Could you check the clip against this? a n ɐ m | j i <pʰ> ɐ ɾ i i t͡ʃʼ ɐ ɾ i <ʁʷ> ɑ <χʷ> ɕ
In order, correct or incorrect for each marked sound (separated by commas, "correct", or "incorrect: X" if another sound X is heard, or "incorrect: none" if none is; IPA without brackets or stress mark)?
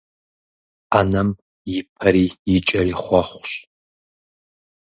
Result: correct, incorrect: χʷ, correct